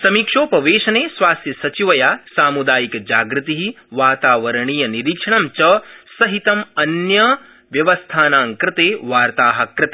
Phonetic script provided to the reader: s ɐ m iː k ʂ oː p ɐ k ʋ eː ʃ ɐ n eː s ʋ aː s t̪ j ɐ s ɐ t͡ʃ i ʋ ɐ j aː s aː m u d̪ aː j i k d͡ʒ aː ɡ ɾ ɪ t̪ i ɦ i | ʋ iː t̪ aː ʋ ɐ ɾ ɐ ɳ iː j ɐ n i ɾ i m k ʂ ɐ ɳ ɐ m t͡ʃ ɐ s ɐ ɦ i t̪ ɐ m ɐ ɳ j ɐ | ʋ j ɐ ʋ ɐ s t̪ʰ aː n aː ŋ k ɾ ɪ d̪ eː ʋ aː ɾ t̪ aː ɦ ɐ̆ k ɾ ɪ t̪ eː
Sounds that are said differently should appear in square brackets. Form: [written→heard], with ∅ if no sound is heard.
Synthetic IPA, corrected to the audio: s ɐ m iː k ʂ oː p ɐ [k→∅] ʋ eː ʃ ɐ n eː s ʋ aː s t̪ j ɐ s ɐ t͡ʃ i ʋ ɐ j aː s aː m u d̪ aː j i k d͡ʒ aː ɡ ɾ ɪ t̪ i ɦ i | ʋ [iː→aː] t̪ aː ʋ ɐ ɾ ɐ ɳ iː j ɐ n i ɾ i [m→∅] k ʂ ɐ ɳ ɐ m t͡ʃ ɐ s ɐ ɦ i t̪ ɐ m ɐ [ɳ→n] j ɐ | ʋ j ɐ ʋ ɐ s t̪ʰ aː n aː ŋ k ɾ ɪ [d̪→t̪] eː ʋ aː ɾ t̪ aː ɦ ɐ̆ k ɾ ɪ t̪ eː